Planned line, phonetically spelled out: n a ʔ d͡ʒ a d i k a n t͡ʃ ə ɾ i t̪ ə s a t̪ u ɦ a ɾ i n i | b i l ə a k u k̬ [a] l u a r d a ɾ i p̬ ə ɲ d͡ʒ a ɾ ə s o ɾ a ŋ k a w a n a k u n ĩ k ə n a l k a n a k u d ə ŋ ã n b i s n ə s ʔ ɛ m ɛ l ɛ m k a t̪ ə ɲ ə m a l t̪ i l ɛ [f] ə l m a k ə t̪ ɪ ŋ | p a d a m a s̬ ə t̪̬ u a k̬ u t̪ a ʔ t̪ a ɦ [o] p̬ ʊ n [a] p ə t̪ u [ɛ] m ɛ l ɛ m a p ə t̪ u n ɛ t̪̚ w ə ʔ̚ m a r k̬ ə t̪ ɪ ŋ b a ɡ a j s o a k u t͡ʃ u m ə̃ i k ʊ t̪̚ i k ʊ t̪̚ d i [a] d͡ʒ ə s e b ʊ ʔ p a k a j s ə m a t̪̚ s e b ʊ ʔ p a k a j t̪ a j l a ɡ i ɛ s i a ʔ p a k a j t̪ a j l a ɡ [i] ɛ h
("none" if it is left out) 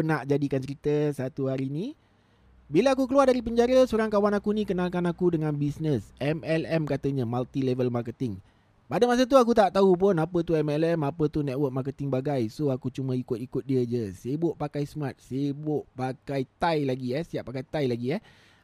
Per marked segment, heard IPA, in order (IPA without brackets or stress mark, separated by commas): ə, v, u, a, ɛ, ə, i